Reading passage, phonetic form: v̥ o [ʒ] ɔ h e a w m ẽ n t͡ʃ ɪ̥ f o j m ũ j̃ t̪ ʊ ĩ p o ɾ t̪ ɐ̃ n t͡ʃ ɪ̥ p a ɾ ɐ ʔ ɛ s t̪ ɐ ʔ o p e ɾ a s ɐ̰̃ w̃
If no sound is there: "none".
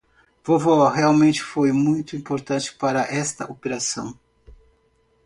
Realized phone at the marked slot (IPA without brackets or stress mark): v